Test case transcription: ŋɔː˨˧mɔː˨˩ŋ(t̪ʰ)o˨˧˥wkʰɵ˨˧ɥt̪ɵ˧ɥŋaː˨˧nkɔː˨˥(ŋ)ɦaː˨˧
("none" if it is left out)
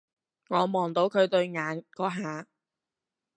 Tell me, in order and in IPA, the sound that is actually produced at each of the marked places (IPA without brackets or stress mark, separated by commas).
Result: t̪, none